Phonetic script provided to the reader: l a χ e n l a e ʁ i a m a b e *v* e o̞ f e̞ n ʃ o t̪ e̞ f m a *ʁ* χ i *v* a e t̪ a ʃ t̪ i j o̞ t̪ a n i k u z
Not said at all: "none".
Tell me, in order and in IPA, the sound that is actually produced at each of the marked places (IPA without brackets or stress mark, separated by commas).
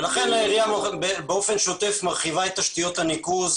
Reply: b, ʁ, v